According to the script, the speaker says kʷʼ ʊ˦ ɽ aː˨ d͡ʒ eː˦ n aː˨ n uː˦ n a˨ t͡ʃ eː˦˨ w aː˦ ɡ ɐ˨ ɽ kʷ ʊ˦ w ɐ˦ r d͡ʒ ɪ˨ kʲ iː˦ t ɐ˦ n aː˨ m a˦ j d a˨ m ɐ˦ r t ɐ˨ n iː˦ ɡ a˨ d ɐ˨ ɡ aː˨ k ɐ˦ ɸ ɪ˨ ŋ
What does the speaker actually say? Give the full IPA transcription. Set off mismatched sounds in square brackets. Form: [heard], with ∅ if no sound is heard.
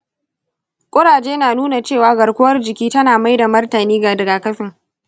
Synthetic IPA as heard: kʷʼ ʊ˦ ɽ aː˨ d͡ʒ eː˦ n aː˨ n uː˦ n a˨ t͡ʃ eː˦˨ w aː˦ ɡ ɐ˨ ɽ kʷ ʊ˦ w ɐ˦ r d͡ʒ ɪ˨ kʲ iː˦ t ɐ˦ n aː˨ m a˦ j d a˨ m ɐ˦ r t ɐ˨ n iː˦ ɡ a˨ d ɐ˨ ɡ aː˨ k ɐ˦ ɸ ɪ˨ ŋ

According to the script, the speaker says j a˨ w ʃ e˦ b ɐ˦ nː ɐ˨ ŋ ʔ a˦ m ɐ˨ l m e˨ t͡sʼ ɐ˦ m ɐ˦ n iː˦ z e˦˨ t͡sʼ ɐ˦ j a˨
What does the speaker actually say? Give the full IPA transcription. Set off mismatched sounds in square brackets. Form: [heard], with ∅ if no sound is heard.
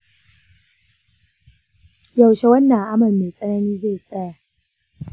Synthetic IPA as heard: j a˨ w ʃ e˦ [w] ɐ˦ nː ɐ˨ ŋ ʔ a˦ m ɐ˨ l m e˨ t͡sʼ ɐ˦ [n] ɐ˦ n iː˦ z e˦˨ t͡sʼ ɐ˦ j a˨

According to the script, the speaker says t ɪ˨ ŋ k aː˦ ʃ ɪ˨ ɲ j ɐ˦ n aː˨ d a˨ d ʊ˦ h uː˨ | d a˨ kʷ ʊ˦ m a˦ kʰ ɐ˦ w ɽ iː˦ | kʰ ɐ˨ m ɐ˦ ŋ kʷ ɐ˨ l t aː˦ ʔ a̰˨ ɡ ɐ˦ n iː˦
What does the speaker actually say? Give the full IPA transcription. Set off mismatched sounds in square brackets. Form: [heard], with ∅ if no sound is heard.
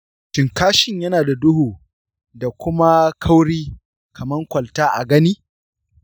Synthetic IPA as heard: t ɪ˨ ŋ k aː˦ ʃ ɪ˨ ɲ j ɐ˦ n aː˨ d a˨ d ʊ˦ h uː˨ | d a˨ kʷ ʊ˦ m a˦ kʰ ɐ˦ w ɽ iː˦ | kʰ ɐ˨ m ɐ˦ ŋ kʷ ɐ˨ l t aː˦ ʔ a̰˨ ɡ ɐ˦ n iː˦

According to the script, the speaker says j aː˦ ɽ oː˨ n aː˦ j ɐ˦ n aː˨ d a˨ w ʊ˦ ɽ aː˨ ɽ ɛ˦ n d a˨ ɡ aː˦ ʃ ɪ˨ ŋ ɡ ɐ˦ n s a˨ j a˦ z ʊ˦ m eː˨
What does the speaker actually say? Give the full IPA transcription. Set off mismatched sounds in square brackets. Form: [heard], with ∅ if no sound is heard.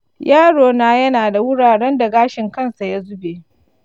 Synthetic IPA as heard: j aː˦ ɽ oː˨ n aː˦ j ɐ˦ n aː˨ d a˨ w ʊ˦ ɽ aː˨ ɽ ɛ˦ n d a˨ ɡ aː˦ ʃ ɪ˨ ŋ [k] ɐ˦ n s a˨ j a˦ z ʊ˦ [b] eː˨

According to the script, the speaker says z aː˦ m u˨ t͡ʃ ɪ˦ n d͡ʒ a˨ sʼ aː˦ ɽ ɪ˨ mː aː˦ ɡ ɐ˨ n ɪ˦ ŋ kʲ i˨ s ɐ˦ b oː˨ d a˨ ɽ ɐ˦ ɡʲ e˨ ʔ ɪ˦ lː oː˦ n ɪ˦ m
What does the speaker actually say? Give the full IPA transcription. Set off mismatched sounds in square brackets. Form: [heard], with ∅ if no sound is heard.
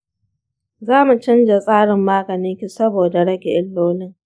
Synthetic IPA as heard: z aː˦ m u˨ t͡ʃ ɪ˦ n d͡ʒ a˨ sʼ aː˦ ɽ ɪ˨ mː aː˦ ɡ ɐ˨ n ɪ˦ ŋ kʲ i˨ s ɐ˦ b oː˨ d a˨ ɽ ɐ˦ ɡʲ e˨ ʔ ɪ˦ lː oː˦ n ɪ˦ [ŋ]

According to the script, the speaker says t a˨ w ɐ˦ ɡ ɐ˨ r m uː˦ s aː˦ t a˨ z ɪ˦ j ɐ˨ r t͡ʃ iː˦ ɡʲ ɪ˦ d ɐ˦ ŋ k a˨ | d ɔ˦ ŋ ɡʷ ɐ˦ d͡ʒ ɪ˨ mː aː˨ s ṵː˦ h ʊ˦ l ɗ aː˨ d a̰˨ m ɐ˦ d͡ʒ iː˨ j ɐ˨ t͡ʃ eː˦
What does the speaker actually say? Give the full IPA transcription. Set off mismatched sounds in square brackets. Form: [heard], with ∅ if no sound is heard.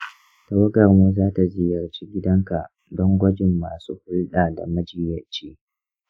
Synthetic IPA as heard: t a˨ w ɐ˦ ɡ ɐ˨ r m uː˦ [z] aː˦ t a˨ z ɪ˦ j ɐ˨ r t͡ʃ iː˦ ɡʲ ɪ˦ d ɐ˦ ŋ k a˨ | d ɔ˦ ŋ ɡʷ ɐ˦ d͡ʒ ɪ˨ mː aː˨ s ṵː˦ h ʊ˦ l ɗ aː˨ d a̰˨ m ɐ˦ d͡ʒ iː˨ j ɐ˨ t͡ʃ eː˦

